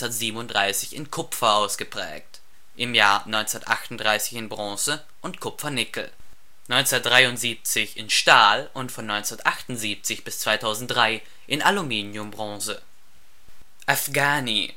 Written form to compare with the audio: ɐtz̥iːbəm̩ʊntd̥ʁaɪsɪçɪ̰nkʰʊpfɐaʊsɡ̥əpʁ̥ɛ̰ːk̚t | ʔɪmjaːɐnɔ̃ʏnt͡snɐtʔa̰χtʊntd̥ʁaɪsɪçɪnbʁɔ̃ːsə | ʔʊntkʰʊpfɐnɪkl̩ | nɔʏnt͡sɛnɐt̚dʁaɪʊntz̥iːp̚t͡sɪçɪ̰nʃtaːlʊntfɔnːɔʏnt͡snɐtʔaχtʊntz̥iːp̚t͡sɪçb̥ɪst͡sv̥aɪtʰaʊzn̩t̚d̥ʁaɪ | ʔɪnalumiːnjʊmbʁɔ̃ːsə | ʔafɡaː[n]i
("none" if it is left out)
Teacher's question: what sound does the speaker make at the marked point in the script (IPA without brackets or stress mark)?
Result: n